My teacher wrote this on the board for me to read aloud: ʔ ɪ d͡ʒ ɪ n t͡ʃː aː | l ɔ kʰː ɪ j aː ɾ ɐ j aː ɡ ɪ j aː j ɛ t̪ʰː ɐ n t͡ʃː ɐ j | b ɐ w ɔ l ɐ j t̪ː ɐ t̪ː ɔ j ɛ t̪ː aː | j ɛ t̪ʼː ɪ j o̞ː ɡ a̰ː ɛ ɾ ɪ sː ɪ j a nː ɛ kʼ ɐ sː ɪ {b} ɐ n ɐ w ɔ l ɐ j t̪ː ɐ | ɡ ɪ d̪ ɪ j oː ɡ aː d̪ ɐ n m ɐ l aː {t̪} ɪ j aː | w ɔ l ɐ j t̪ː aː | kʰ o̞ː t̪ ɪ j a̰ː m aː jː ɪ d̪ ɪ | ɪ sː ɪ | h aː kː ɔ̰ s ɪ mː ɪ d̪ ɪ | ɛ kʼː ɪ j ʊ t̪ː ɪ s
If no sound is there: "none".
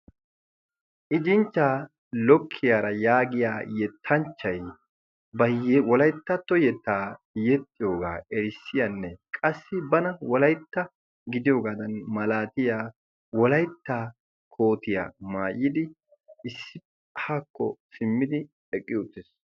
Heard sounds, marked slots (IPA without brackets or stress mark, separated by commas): b, t̪